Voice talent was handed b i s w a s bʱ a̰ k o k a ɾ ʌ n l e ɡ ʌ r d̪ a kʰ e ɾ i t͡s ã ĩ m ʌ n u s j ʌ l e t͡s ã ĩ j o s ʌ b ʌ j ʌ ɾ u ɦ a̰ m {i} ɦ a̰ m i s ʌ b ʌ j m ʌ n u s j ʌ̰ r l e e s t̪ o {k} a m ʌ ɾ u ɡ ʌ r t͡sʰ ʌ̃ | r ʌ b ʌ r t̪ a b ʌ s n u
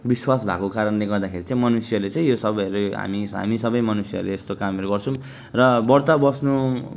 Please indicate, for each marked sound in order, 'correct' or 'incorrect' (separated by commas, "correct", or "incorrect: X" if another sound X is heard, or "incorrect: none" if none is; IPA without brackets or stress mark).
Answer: correct, correct